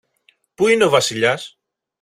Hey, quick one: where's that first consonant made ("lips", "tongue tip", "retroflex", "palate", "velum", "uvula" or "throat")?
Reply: lips